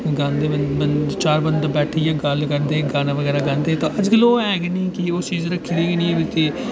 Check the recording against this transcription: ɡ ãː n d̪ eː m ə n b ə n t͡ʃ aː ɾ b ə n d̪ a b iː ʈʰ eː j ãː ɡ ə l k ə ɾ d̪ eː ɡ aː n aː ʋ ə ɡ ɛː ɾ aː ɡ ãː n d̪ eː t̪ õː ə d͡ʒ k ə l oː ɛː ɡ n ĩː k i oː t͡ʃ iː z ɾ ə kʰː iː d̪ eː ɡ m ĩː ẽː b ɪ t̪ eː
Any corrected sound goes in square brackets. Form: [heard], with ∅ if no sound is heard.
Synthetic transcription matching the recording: ɡ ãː n d̪ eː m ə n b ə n t͡ʃ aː ɾ b ə n d̪ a b [ɛː] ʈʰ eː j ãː ɡ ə l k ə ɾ d̪ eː ɡ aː n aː ʋ ə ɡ ɛː ɾ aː ɡ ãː n d̪ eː t̪ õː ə d͡ʒ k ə l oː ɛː ɡ n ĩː k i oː t͡ʃ iː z ɾ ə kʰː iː d̪ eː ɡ [n] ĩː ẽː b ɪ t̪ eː

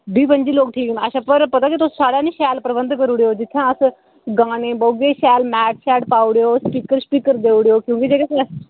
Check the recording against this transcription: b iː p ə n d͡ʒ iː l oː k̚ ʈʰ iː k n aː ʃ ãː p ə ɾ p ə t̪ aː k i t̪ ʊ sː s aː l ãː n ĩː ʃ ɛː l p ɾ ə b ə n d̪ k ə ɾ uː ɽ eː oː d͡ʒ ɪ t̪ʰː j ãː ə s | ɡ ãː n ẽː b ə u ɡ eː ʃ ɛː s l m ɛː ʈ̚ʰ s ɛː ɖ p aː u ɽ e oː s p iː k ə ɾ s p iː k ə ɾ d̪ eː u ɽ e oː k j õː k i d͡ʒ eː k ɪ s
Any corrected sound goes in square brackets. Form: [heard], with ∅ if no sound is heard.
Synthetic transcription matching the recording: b iː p ə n d͡ʒ iː l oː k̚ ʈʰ iː k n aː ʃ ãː p ə ɾ p ə t̪ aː k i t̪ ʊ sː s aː [ɽ] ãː n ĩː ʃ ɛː l p ɾ ə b ə n d̪ k ə ɾ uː ɽ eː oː d͡ʒ ɪ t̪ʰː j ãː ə s | ɡ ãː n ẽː b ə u ɡ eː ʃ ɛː [∅] l m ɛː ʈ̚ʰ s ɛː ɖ p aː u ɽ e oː s p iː k ə ɾ s p iː k ə ɾ d̪ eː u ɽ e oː k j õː k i d͡ʒ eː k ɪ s

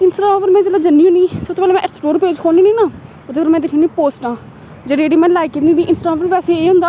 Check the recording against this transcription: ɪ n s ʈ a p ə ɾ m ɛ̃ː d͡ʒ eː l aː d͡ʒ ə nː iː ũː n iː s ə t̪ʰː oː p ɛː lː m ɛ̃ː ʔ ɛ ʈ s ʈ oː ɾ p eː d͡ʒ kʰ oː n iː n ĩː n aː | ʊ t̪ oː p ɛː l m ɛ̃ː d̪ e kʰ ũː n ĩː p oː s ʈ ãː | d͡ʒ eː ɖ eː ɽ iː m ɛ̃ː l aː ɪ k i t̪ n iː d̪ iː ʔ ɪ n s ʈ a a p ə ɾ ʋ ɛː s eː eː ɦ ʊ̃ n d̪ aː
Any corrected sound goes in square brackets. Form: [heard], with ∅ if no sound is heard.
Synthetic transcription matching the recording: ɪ n s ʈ a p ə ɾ m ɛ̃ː d͡ʒ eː l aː d͡ʒ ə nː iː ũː n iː s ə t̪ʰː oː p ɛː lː m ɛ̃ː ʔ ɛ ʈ s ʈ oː ɾ p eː d͡ʒ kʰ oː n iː n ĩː n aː | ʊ t̪ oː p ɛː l m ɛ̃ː d̪ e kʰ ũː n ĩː p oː s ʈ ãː | d͡ʒ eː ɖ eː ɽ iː m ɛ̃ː l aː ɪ k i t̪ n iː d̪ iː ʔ ɪ n s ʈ a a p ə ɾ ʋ ɛː s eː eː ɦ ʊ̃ n d̪ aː

